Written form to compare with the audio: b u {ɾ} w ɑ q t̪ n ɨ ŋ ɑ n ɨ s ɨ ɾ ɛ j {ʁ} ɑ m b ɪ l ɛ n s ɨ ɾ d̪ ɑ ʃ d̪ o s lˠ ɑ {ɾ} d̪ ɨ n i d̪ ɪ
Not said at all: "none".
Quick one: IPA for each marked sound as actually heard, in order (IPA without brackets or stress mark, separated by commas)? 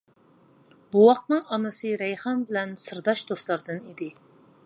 none, χ, ɾ